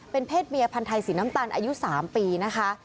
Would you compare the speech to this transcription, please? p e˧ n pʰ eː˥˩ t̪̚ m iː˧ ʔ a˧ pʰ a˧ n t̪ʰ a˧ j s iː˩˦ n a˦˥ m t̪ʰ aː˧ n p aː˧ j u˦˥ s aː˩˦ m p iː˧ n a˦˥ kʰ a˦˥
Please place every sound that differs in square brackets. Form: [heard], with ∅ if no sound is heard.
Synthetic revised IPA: p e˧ n pʰ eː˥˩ t̪̚ m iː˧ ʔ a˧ pʰ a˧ n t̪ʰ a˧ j s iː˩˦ n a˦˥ m [t̪] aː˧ n [ʔ] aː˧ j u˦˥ s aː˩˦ m p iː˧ n a˦˥ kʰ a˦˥